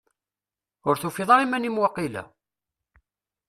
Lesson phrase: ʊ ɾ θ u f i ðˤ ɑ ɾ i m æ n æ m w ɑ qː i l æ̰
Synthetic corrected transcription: ʊ ɾ θ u f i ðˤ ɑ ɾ i m æ n i m w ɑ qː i l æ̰